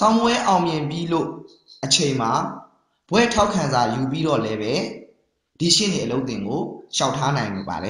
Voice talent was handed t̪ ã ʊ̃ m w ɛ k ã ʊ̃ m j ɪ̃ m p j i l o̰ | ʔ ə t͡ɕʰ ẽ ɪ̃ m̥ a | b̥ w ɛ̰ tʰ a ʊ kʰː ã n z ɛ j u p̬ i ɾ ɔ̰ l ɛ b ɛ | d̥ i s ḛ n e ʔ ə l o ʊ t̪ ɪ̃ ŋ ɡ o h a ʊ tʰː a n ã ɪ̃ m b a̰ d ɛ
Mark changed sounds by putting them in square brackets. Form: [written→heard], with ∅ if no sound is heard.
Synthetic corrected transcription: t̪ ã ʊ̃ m w ɛ [k→ʔ] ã ʊ̃ m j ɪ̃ m p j i l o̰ | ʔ ə t͡ɕʰ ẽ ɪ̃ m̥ a | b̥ w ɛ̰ tʰ a ʊ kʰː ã n z [ɛ→a] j u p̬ i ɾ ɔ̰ l ɛ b ɛ | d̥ i [s→ʃ] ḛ n e ʔ ə l o ʊ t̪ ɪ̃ ŋ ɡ o [h→ʃ] a ʊ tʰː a n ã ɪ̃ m b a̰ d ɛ